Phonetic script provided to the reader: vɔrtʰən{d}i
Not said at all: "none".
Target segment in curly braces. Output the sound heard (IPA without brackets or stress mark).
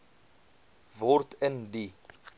d